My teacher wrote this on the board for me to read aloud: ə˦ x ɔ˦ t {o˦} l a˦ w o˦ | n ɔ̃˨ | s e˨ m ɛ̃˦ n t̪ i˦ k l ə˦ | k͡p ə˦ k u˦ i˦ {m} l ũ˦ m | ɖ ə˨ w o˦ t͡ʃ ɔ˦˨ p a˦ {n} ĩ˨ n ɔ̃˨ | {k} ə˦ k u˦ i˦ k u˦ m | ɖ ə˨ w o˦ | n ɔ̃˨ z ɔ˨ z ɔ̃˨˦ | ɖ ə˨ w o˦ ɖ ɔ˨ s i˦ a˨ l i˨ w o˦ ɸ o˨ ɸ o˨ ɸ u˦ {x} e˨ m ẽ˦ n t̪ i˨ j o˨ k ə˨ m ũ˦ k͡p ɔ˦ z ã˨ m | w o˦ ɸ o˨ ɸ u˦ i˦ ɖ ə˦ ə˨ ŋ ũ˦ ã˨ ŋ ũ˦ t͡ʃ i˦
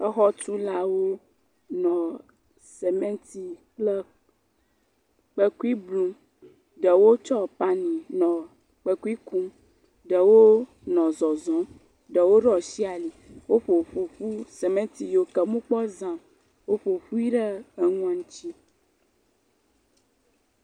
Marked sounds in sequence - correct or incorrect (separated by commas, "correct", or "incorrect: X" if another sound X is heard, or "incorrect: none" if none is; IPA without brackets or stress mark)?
incorrect: u˦, incorrect: b, correct, incorrect: k͡p, incorrect: s